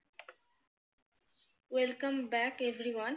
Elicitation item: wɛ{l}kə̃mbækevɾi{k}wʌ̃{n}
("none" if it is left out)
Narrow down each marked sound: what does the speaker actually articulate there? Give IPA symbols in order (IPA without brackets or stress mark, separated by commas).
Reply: l, none, n